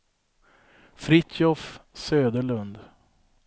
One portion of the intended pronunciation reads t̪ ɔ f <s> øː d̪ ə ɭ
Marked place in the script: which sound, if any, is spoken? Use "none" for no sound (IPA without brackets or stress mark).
s